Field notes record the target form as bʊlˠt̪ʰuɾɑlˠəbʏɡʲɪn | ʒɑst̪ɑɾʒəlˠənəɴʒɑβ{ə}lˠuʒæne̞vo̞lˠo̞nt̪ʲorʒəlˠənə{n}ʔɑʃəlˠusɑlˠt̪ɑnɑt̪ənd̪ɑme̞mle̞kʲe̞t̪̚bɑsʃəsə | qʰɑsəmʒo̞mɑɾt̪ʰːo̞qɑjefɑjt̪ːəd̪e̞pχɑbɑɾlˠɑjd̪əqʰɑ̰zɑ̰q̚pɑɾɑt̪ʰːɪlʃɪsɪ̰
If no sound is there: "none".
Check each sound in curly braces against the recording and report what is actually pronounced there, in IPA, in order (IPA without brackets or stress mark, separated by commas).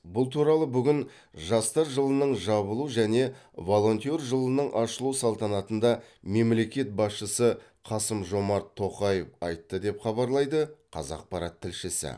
ə, ɴ